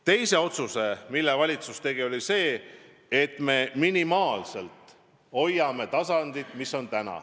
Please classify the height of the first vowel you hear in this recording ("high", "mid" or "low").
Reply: mid